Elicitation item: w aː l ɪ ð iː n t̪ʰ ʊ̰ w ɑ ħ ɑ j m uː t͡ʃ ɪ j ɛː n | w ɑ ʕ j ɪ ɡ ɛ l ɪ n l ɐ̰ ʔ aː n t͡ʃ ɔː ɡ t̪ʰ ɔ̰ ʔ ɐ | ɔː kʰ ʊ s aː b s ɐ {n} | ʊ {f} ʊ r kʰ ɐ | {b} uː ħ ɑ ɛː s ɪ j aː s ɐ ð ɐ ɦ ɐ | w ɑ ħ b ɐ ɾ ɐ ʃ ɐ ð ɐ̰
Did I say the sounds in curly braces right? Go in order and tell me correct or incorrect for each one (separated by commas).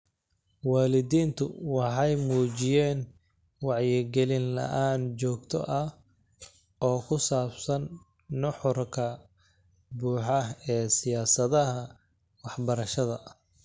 incorrect, incorrect, correct